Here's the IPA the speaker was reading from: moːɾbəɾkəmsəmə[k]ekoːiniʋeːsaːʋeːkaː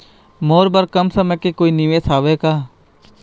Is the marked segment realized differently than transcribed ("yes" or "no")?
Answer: no